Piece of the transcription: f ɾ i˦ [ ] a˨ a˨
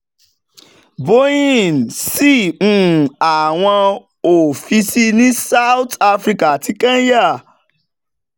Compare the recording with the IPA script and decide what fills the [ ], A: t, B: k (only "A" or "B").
B